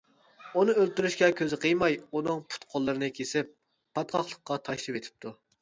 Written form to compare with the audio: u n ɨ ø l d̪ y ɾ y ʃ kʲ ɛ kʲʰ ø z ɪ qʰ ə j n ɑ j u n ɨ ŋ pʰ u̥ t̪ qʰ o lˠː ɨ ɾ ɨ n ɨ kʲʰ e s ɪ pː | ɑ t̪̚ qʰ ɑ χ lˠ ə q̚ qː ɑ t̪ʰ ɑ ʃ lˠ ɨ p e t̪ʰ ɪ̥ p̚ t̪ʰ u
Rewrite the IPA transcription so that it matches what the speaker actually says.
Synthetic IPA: u n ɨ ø l t̪ y ɾ y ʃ kʲ ɛ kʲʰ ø z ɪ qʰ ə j m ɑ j u n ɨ ŋ pʰ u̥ t̪ qʰ o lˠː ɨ ɾ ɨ n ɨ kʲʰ e s ɪ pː | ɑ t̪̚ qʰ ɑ χ lˠ ə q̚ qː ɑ t̪ʰ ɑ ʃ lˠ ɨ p e t̪ʰ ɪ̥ p̚ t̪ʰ u

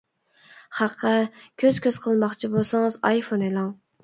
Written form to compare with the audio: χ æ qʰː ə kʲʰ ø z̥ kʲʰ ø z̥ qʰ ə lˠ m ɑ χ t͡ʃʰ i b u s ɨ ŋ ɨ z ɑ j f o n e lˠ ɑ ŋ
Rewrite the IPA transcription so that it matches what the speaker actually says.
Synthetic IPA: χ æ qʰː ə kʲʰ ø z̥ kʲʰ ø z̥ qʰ ə lˠ m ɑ χ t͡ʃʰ i b o s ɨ ŋ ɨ z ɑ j f o n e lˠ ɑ ŋ

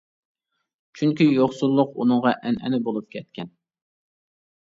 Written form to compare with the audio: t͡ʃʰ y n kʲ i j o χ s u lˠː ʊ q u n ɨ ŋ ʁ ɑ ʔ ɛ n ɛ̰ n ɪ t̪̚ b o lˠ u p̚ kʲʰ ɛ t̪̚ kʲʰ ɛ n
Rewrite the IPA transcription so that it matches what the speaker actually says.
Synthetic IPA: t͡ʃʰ y ŋ kʲ i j o χ s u lˠː ʊ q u n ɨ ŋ ʁ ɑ ʔ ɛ n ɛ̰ n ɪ b o lˠ u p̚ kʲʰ ɛ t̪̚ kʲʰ ɛ n

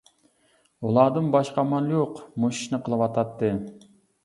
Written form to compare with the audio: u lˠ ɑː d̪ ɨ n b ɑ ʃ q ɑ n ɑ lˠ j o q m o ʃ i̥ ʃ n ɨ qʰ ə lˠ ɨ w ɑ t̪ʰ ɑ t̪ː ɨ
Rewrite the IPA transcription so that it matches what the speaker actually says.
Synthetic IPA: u lˠ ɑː d̪ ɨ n b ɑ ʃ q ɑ m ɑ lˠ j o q m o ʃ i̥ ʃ n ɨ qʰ ə lˠ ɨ w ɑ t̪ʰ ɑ t̪ː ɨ

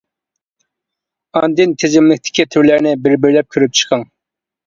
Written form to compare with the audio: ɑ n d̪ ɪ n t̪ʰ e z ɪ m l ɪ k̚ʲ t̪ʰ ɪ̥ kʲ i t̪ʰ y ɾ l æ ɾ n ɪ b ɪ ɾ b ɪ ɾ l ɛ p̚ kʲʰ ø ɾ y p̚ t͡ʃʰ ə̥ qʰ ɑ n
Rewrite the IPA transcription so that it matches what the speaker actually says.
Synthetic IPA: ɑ n d̪ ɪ n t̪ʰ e z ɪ m l ɪ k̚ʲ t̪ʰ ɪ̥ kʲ i t̪ʰ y ɾ l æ ɾ n ɪ b ɪ ɾ b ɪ ɾ l ɛ p̚ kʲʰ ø ɾ y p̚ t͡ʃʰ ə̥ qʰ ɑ ŋ

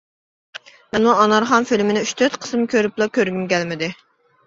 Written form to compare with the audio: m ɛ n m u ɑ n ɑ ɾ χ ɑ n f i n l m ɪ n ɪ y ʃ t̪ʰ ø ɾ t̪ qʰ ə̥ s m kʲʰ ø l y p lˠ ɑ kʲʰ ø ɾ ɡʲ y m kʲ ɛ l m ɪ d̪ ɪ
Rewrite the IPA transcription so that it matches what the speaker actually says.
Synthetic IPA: m ɛ n m u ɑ n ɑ ɾ χ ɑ n f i l m ɪ n ɪ y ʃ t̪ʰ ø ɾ t̪ qʰ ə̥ s m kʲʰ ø ɾ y p lˠ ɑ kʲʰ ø ɾ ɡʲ y m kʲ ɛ l m ɪ d̪ ɪ

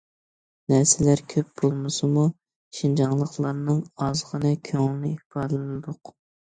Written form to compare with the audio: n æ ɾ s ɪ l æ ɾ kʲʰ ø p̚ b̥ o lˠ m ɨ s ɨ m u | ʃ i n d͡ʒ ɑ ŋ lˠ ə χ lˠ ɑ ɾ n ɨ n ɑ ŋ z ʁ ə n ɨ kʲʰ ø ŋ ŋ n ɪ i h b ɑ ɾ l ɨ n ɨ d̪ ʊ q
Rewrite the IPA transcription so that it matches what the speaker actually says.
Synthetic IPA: n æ ɾ s ɪ l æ ɾ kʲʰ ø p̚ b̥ o lˠ m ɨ s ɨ m u | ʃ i n d͡ʒ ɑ ŋ lˠ ə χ lˠ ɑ ɾ n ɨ ŋ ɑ z ʁ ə n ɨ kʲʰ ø ŋ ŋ n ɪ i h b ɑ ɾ l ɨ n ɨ d̪ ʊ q

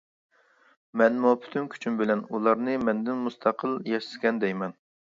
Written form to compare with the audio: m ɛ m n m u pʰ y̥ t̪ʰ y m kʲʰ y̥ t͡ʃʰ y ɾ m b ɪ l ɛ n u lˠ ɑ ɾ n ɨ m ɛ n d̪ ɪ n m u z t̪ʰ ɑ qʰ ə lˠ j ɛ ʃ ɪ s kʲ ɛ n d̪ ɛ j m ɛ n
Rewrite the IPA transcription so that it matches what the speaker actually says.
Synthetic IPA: m ɛ n m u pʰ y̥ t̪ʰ y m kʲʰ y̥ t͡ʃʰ y m b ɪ l ɛ n u lˠ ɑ ɾ n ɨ m ɛ n d̪ ɪ n m u s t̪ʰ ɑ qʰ ə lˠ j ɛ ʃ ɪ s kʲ ɛ n d̪ ɛ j m ɛ n

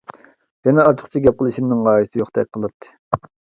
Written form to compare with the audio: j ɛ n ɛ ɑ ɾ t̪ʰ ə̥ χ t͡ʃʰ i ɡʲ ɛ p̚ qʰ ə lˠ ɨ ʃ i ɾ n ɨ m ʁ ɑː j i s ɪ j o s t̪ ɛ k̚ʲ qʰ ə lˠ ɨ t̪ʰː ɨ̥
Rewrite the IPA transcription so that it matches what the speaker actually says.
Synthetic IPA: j ɛ n ɛ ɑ ɾ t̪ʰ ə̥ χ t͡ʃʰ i ɡʲ ɛ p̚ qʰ ə lˠ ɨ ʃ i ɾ n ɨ ŋ ʁ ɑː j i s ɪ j o χ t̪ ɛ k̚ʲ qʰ ə lˠ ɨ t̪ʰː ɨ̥

